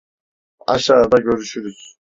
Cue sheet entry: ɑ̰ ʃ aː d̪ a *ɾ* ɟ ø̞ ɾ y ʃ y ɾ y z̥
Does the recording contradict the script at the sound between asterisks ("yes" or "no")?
yes